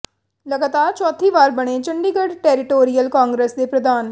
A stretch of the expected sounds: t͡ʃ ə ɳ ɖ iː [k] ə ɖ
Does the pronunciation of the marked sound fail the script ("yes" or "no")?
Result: yes